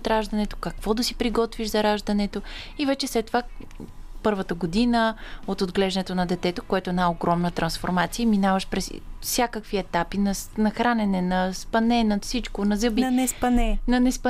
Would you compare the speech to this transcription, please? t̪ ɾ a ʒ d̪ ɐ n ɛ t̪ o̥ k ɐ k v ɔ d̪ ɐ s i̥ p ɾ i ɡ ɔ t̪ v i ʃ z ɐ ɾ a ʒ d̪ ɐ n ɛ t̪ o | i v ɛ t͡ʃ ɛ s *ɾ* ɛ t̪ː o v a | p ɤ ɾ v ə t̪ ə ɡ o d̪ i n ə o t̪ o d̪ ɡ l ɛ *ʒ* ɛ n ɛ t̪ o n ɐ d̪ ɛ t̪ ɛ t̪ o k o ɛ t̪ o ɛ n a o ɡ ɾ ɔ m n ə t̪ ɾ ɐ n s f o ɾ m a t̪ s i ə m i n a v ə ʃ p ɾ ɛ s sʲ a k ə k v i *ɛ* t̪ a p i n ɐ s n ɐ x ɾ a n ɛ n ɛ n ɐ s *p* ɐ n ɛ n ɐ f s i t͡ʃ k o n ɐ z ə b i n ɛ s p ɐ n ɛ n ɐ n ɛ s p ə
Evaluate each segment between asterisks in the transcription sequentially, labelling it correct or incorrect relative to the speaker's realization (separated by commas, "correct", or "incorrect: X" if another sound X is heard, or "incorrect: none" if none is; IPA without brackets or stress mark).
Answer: incorrect: l, correct, correct, correct